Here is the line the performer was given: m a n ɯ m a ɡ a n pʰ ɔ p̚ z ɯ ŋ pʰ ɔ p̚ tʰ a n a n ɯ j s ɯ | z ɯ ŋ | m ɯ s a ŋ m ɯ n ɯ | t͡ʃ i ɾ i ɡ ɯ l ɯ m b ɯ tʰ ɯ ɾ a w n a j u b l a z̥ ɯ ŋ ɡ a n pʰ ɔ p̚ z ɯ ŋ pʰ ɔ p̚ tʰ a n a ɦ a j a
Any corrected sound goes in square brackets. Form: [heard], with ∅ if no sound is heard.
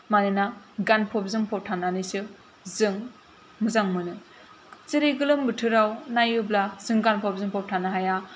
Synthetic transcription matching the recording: m a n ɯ [n] a ɡ a n pʰ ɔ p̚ z ɯ ŋ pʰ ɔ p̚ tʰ a n a n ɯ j s ɯ | z ɯ ŋ | m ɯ [z] a ŋ m ɯ n ɯ | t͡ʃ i ɾ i ɡ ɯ l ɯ m b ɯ tʰ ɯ ɾ a w n a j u b l a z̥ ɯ ŋ ɡ a n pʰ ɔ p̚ z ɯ ŋ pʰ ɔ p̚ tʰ a n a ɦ a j a

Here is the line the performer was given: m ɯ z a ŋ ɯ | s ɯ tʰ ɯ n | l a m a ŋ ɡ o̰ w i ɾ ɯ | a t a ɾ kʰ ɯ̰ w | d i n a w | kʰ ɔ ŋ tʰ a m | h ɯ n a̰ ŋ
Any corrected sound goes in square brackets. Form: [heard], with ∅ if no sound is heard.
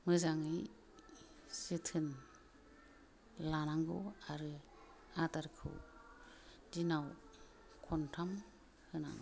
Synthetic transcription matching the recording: m ɯ z a ŋ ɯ | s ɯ tʰ ɯ n | l a [n] a ŋ ɡ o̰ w [a] ɾ ɯ | a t a ɾ kʰ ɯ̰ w | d i n a w | kʰ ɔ [n] tʰ a m | h ɯ n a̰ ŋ

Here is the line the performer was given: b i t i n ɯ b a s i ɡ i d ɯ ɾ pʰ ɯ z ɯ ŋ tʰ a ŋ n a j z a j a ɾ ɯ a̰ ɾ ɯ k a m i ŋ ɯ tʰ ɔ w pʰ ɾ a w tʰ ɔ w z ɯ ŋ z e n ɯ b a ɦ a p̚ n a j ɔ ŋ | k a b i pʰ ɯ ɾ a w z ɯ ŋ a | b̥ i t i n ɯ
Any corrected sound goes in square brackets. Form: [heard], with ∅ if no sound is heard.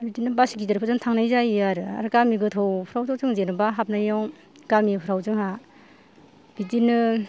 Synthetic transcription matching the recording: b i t i n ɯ b a s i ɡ i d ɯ ɾ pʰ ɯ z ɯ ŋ tʰ a ŋ n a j z a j a ɾ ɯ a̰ ɾ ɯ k a m i [ɡ] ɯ tʰ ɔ w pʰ ɾ a w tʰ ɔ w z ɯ ŋ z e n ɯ b a ɦ a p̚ n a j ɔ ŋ | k a [m] i pʰ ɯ ɾ a w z ɯ ŋ a | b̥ i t i n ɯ

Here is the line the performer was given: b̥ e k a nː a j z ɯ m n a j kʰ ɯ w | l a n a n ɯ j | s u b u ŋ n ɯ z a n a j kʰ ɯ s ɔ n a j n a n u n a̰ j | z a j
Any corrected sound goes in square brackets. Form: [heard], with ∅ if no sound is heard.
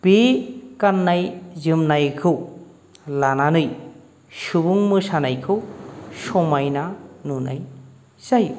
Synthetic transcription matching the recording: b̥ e k a nː a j z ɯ m n a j kʰ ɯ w | l a n a n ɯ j | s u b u ŋ [m] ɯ [s] a n a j kʰ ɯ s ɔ [m] a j n a n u n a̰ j | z a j

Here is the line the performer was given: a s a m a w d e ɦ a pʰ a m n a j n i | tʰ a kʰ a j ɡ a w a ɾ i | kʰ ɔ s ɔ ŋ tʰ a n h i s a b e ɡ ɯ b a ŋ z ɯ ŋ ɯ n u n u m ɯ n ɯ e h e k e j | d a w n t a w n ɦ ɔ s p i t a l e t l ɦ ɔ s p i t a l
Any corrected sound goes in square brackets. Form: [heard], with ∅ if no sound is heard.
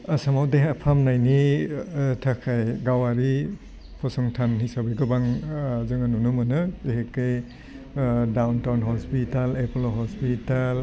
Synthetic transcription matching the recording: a s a m a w d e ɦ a pʰ a m n a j n i | tʰ a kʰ a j ɡ a w a ɾ i | [pʰ] ɔ s ɔ ŋ tʰ a n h i s a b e ɡ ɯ b a ŋ z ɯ ŋ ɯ n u n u m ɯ n ɯ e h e k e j | d a w n t a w n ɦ ɔ s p i t a l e [p] l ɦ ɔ s p i t a l

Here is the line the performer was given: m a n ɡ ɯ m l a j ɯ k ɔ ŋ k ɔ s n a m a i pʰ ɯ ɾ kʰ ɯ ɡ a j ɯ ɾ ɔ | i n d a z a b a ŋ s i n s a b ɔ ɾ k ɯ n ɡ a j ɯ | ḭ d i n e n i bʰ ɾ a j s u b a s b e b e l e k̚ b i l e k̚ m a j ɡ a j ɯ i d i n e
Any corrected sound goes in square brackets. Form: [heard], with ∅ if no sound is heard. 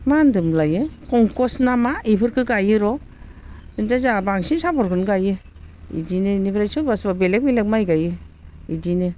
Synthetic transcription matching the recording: m a n [d] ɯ m l a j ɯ k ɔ ŋ k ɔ s n a m a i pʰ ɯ ɾ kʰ ɯ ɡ a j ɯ ɾ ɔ | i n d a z a b a ŋ s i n s a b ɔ ɾ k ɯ n ɡ a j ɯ | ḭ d i n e n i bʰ ɾ a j s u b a s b [a] b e l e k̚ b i l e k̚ m a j ɡ a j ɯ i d i n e

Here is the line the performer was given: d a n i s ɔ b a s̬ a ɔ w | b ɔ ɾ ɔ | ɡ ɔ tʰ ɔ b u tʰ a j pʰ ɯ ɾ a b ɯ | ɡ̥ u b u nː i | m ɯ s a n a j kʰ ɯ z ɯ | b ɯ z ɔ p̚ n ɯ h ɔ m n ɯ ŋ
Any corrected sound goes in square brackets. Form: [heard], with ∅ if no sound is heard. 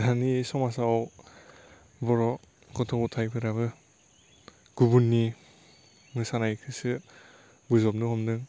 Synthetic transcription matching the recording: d a n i s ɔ [m] a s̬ a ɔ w | b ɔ ɾ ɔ | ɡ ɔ tʰ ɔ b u tʰ a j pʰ ɯ ɾ a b ɯ | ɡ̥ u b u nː i | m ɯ s a n a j kʰ ɯ [s] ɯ | b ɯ z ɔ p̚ n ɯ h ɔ m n ɯ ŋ

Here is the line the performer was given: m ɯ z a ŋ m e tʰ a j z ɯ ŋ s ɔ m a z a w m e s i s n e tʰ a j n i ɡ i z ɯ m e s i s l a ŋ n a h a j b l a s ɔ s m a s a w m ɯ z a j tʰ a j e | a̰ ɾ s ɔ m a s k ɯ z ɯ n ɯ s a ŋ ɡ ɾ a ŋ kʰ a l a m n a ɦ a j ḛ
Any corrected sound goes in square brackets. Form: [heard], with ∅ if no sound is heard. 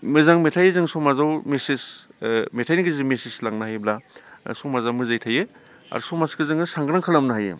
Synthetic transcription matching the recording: m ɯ z a ŋ m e tʰ a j z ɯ ŋ s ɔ m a z a w m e s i s [m] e tʰ a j n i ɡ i z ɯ m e s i s l a ŋ n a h a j b l a s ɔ [∅] m a [z] a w m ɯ z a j tʰ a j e | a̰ ɾ s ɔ m a s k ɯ z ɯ [ŋ] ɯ s a ŋ ɡ ɾ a ŋ kʰ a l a m n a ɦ a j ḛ

